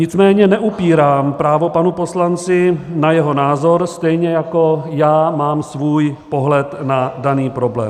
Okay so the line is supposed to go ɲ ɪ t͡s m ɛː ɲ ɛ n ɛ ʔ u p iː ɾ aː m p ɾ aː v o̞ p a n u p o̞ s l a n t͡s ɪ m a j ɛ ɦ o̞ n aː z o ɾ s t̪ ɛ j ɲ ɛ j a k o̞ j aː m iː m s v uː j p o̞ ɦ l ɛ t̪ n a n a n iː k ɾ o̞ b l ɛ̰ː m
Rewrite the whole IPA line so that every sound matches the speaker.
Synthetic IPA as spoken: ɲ ɪ t͡s m ɛː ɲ ɛ n ɛ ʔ u p iː ɾ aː m p ɾ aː v o̞ p a n u p o̞ s l a n t͡s ɪ n a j ɛ ɦ o̞ n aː z o ɾ s t̪ ɛ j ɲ ɛ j a k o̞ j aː m aː m s v uː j p o̞ ɦ l ɛ t̪ n a d a n iː p ɾ o̞ b l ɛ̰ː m